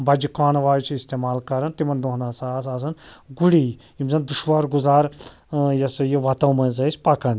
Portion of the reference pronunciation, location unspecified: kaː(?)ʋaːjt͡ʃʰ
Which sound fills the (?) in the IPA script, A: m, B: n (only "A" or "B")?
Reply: B